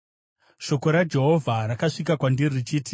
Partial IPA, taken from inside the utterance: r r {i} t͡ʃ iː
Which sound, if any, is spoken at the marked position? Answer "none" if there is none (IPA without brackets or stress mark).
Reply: i